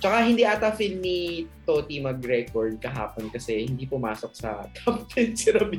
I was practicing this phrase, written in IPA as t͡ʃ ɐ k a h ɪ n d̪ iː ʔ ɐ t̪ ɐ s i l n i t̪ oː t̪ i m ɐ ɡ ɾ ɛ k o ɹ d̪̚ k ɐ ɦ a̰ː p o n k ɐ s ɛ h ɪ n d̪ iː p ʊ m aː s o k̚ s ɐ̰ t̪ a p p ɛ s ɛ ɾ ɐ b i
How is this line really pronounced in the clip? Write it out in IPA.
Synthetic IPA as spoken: t͡ʃ ɐ k a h ɪ n d̪ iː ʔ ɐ t̪ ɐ f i l n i t̪ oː t̪ i m ɐ ɡ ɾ ɛ k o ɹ d̪̚ k ɐ ɦ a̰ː p o n k ɐ s ɛ h ɪ n d̪ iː p ʊ m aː s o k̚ s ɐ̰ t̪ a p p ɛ s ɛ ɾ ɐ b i